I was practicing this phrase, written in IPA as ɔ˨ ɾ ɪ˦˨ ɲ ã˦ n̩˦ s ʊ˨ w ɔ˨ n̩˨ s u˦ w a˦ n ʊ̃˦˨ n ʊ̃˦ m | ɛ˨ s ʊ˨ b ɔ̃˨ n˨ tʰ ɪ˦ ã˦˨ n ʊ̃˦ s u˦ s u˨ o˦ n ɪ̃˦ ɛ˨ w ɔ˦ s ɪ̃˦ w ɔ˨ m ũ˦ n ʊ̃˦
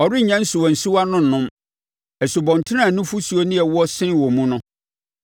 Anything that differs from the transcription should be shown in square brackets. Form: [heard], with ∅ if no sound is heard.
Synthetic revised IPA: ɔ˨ ɾ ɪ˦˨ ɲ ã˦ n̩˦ s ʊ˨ w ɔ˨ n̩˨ s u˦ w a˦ n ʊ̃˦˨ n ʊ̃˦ m | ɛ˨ s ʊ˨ b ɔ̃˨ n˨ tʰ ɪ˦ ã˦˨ n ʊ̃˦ [f] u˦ s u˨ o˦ n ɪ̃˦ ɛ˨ w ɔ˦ s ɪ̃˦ w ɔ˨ m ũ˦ n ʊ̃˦